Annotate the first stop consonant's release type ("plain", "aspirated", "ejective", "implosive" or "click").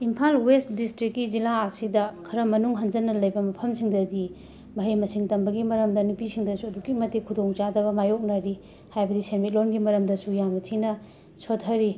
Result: aspirated